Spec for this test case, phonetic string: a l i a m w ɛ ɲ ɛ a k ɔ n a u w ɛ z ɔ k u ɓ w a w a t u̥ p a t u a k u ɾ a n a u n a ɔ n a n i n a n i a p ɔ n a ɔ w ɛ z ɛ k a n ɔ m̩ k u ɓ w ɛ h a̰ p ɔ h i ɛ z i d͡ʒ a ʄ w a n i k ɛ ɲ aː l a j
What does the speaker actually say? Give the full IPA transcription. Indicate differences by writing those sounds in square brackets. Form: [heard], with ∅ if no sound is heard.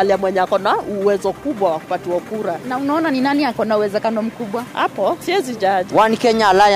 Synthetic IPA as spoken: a l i a m w ɛ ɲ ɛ a k ɔ n a u w ɛ z ɔ k u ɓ w a w a [k] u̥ p a t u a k u ɾ a n a u n a ɔ n a n i n a n i a [k] ɔ n a [u] w ɛ z ɛ k a n ɔ m̩ k u ɓ w [a] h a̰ p ɔ [s] i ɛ z i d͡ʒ a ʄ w a n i k ɛ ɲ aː l a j